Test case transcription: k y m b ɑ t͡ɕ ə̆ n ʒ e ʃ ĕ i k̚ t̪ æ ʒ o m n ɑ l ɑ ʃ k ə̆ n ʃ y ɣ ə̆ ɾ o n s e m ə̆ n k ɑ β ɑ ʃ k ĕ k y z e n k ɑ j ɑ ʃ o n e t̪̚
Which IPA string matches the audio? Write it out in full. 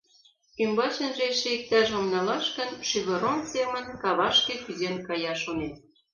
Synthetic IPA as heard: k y m b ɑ t͡ɕ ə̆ n ʒ e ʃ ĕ i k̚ t̪ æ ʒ o m n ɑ l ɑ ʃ k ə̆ n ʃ y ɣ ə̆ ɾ o n s e m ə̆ n k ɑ β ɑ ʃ k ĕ k y z e n k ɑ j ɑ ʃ o n e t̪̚

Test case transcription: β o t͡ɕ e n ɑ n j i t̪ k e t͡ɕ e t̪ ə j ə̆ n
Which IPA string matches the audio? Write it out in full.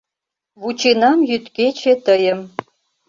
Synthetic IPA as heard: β u t͡ɕ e n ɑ m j y t̪ k e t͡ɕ e t̪ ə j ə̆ m

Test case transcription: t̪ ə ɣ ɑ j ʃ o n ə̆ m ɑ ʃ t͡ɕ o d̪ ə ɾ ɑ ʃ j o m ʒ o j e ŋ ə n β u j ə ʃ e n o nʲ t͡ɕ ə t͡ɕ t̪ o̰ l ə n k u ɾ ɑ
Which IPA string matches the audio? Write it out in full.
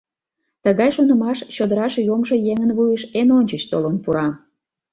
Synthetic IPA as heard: t̪ ə ɣ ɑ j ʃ o n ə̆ m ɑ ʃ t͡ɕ o d̪ ə ɾ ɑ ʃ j o m ʒ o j e ŋ ə n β u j ə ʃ e n o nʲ t͡ɕ ə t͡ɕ t̪ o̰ l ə n p u ɾ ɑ

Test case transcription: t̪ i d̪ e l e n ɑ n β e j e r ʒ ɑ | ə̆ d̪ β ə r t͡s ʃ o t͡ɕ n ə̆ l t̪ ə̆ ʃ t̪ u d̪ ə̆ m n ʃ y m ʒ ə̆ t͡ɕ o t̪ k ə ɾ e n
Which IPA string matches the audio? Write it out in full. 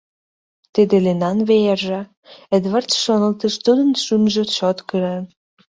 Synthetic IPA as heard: t̪ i d̪ e l e n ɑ n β e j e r ʒ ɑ | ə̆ d̪ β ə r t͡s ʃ o n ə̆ l t̪ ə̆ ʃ t̪ u d̪ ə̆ n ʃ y m ʒ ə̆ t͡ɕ o t̪ k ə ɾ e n

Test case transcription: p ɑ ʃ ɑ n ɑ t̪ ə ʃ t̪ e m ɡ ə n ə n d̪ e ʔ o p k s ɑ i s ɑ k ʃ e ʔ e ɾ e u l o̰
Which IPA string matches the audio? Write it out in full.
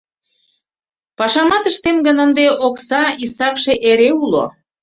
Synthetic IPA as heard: p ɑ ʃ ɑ m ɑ t̪ ə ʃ t̪ e m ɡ ə n ə n d̪ e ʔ o k s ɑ i s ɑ k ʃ e ʔ e ɾ e u l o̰

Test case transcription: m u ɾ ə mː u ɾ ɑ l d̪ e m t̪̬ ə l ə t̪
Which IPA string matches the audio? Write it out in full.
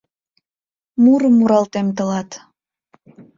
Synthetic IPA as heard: m u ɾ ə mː u ɾ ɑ l t̪ e m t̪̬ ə l ɑ t̪

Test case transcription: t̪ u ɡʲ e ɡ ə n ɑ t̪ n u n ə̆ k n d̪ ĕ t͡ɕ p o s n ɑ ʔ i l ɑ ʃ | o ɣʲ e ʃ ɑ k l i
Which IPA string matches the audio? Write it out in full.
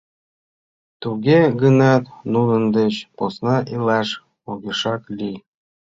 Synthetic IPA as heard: t̪ u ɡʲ e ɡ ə n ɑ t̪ n u n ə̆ n d̪ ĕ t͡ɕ p o s n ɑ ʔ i l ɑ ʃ | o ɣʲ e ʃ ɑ k l i

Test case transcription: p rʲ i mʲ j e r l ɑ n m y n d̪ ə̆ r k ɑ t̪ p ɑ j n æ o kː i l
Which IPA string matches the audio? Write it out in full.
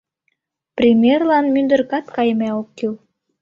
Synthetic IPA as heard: p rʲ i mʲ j e r l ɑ n m y n d̪ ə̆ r k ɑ t̪ k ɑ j m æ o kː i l

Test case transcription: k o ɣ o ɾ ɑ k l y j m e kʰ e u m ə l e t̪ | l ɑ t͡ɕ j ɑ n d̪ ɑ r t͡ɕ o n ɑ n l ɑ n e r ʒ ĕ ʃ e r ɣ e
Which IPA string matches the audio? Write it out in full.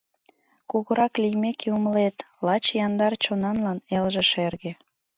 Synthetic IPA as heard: k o ɣ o ɾ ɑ k l i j m e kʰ e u m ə l e t̪ | l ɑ t͡ɕ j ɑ n d̪ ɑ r t͡ɕ o n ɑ n l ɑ n e l ʒ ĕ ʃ e r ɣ e

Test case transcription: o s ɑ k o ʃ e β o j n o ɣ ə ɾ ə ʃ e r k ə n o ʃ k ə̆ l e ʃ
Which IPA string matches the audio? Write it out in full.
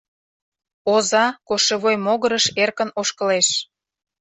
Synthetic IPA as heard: o z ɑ k o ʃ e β o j m o ɣ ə ɾ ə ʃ e r k ə n o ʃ k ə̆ l e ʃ

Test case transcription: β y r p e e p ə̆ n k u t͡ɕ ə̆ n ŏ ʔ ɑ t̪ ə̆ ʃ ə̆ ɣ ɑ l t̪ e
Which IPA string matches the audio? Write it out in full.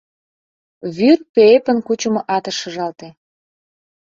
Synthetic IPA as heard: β y r p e e p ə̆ n k u t͡ɕ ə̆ m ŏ ʔ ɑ t̪ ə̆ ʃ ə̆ ʒ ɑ l t̪ e

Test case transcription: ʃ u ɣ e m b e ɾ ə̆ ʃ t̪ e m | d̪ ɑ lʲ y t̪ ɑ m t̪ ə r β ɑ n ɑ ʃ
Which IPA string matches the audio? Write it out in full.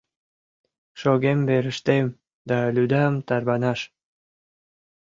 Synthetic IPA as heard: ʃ o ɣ e m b e ɾ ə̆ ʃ t̪ e m | d̪ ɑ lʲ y d̪ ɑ m t̪ ɑ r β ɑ n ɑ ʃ

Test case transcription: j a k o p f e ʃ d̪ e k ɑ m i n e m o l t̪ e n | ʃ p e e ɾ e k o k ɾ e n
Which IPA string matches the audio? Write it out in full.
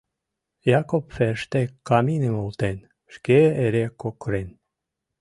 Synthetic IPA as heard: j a k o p f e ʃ t̪ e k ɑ m i n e m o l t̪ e n | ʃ k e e ɾ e k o k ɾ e n

